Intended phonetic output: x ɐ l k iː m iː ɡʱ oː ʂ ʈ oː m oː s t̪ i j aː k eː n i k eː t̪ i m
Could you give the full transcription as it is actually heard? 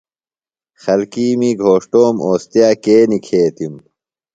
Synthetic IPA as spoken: x ɐ l k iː m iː ɡʱ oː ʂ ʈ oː m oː s t̪ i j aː k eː n i kʰ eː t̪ i m